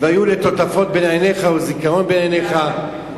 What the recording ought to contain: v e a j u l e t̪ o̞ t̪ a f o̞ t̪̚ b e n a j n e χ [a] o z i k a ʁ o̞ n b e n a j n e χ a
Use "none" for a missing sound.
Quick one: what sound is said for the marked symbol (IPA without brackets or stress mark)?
a